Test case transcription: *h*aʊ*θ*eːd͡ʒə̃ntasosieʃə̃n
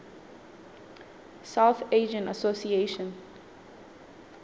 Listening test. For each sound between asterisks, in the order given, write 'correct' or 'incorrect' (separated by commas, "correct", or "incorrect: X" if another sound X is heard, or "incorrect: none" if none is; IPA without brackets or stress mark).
incorrect: s, correct